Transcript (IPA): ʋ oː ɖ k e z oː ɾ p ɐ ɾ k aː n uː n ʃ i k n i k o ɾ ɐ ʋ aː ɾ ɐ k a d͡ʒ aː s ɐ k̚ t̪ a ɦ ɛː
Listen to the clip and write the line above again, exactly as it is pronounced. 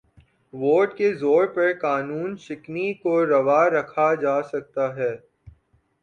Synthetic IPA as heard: ʋ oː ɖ k e z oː ɾ p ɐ ɾ k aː n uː n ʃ ɪ k n i k o ɾ ɐ ʋ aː ɾ ɐ kʰ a d͡ʒ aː s ɐ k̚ t̪ a ɦ ɛː